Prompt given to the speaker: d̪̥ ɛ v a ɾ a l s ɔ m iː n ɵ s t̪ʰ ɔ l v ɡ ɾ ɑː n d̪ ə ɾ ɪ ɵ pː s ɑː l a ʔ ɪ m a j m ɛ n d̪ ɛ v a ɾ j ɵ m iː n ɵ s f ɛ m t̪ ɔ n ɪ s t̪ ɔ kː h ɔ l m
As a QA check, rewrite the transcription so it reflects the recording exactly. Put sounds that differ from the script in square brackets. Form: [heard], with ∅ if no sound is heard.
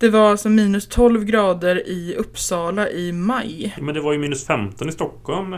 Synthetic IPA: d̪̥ ɛ v a ɾ a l s ɔ m iː n ɵ s t̪ʰ ɔ l v ɡ ɾ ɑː [∅] d̪ ə ɾ ɪ ɵ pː s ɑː l a ʔ ɪ m a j m ɛ n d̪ ɛ v a ɾ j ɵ m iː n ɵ s f ɛ m t̪ ɔ n ɪ s t̪ ɔ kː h ɔ l m